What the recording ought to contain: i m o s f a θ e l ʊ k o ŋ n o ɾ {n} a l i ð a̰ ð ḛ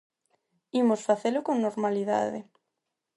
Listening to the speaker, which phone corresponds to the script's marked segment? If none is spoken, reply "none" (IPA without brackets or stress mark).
m